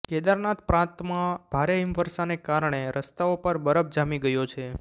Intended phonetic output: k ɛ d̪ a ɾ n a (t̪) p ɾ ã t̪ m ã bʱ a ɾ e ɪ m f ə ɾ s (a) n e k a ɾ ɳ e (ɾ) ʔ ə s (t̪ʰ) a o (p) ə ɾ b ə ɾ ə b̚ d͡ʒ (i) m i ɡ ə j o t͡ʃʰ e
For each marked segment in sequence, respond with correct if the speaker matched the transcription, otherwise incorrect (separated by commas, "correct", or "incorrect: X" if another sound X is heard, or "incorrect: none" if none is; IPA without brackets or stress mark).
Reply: correct, correct, correct, incorrect: t̪, correct, incorrect: a